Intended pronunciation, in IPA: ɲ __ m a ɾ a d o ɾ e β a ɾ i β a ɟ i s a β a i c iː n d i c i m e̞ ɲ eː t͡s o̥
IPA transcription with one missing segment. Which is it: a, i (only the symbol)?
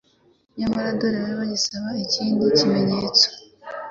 a